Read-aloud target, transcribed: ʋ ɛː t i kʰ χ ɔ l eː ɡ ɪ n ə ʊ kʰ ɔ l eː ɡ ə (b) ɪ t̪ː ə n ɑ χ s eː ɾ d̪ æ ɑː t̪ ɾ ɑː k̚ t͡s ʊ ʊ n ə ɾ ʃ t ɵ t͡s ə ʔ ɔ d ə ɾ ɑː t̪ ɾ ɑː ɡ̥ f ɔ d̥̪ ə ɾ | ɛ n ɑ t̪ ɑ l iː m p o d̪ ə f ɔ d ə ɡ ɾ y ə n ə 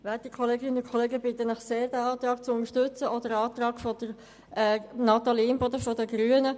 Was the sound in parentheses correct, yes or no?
yes